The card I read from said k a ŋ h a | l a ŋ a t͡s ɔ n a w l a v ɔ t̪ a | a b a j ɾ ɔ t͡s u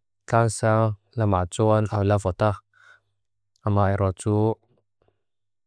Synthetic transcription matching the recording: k a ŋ s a | l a m a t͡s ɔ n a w l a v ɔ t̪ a | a m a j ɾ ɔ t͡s u